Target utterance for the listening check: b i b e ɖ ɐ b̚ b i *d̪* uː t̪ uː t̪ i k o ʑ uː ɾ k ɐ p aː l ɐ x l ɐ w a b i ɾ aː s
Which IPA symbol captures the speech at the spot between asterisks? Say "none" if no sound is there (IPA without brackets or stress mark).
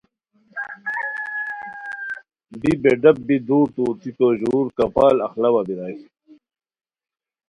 d̪